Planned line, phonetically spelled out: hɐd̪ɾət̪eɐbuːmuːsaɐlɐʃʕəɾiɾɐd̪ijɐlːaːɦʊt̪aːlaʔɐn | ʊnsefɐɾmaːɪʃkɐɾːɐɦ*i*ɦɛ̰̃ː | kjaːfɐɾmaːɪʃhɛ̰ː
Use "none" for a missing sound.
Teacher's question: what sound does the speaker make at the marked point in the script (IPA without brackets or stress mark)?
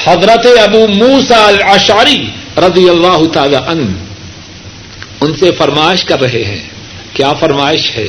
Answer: e